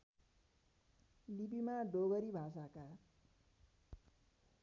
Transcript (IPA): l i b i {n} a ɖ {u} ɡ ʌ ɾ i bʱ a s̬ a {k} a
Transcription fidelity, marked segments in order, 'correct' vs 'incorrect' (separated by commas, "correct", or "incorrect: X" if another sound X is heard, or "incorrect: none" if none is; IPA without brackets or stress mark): incorrect: m, incorrect: o, correct